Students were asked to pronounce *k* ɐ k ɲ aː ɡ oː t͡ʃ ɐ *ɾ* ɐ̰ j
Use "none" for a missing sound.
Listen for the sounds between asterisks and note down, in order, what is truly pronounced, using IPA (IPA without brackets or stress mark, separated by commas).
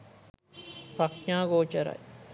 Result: p, ɾ